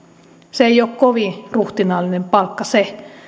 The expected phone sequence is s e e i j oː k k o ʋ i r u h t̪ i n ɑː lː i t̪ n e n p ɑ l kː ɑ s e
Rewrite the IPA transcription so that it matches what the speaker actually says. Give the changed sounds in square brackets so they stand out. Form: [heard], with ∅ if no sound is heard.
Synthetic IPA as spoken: s e e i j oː k k o ʋ i r u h t̪ i n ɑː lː i [∅] n e [m] p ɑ l kː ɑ s e